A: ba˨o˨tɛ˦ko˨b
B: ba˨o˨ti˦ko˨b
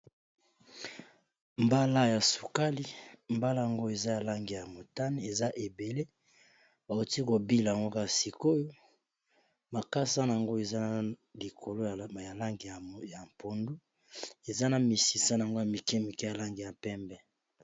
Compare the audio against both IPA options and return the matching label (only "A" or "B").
B